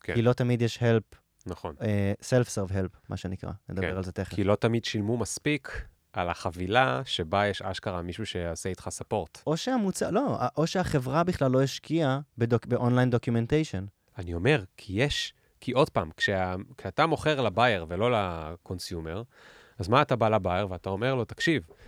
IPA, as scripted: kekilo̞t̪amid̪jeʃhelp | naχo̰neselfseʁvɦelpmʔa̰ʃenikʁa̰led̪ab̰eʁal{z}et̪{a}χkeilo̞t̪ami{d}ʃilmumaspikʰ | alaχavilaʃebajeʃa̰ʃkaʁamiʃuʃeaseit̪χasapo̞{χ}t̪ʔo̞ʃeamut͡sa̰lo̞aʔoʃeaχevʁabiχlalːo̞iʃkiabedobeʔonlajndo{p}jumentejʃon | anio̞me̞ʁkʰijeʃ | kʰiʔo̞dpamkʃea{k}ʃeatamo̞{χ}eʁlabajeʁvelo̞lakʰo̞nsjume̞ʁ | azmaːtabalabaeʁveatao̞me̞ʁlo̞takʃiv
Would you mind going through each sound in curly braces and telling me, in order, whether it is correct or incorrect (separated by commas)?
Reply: correct, incorrect, correct, incorrect, incorrect, correct, correct